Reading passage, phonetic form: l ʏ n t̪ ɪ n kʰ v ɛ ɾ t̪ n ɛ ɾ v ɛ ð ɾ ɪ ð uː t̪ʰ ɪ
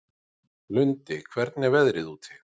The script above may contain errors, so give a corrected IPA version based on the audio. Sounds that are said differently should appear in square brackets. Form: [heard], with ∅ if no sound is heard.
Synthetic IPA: l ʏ n t̪ ɪ [∅] kʰ v ɛ ɾ t̪ n ɛ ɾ v ɛ ð ɾ ɪ ð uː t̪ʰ ɪ